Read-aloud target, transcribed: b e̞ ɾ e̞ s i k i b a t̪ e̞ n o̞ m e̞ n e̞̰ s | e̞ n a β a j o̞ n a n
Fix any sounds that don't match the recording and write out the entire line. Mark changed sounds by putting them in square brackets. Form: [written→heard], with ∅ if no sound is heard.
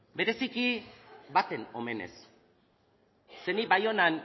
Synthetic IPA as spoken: b e̞ ɾ e̞ s i k i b a t̪ e̞ n o̞ m e̞ n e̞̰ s | e̞ n [a→i] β a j o̞ n a n